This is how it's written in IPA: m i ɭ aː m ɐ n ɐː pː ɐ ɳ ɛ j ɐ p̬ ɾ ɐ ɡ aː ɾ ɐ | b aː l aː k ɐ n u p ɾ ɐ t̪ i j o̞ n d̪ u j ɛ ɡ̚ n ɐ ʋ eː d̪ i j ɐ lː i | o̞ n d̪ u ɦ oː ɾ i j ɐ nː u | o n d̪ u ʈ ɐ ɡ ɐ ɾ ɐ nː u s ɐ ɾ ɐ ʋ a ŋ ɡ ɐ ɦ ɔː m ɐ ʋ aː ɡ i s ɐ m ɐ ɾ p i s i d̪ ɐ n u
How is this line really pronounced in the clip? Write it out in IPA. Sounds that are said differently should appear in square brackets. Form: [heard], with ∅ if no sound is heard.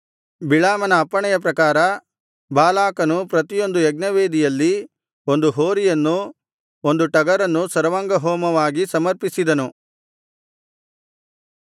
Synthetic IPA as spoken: [b] i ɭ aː m ɐ n ɐː pː ɐ ɳ ɛ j ɐ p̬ ɾ ɐ [k] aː ɾ ɐ | b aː l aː k ɐ n u p ɾ ɐ t̪ i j o̞ n d̪ u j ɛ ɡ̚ n ɐ ʋ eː d̪ i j ɐ lː i | o̞ n d̪ u ɦ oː ɾ i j ɐ nː u | o n d̪ u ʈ ɐ ɡ ɐ ɾ ɐ nː u s ɐ ɾ ɐ ʋ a ŋ ɡ ɐ ɦ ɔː m ɐ ʋ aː ɡ i s ɐ m ɐ ɾ p i s i d̪ ɐ n u